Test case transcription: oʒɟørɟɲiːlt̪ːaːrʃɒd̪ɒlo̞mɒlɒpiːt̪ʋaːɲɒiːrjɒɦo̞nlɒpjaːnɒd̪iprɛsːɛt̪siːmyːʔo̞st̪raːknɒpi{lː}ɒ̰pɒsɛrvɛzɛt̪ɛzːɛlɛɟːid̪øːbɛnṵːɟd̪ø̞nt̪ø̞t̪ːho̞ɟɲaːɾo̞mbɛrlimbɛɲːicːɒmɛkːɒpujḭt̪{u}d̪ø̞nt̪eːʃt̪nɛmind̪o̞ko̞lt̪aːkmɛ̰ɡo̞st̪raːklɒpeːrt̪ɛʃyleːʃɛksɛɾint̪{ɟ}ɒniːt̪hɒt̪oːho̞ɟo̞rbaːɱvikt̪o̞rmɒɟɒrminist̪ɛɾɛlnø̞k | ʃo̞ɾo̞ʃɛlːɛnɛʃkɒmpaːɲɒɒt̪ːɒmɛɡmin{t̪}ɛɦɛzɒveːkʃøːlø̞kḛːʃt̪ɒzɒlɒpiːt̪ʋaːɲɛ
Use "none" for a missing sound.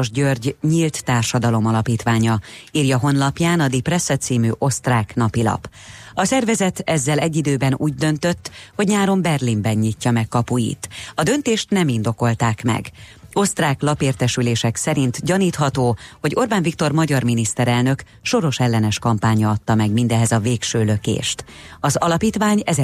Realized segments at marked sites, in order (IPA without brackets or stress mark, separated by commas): l, ɒ, ɟ, d̪